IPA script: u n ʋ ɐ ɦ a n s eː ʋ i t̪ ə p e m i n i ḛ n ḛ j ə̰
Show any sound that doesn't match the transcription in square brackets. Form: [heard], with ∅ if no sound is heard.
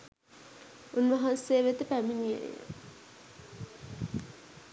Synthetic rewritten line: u n ʋ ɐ ɦ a n s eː ʋ [e] t̪ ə p [æ] m i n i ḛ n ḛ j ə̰